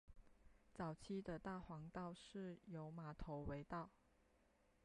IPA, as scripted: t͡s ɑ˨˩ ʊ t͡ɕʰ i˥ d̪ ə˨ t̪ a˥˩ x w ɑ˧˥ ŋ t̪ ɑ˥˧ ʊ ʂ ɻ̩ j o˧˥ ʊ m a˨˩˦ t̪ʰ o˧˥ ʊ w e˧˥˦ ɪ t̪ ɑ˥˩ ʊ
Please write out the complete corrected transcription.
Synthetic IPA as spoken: t͡s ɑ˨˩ ʊ t͡ɕʰ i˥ d̪ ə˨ t̪ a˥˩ x w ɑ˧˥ ŋ t̪ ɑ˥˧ ʊ ʂ ɻ̩ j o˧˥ ʊ m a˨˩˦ t̪ʰ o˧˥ ʊ w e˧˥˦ ɪ t̪ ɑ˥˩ ʊ